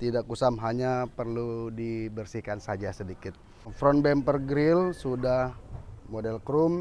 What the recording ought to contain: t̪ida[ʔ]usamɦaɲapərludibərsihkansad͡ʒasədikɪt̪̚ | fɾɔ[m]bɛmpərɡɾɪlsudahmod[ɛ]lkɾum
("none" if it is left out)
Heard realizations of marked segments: k, n, ɛ

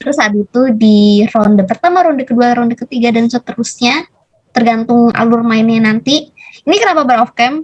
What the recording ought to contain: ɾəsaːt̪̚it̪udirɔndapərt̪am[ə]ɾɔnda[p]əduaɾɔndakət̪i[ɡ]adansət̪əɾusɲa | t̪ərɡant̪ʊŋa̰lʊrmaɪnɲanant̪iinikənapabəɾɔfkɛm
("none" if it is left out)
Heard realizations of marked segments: a, k, ɡ

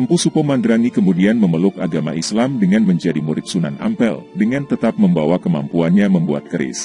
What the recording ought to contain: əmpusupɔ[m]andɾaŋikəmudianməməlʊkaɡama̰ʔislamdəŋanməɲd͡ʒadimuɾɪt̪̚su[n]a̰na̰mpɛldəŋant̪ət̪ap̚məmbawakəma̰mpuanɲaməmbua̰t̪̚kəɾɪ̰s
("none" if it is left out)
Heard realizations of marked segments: m, n

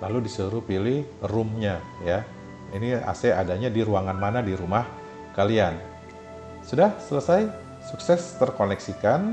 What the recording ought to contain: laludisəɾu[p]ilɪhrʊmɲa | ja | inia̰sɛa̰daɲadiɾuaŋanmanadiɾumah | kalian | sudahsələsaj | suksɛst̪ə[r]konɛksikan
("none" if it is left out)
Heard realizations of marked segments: p, r

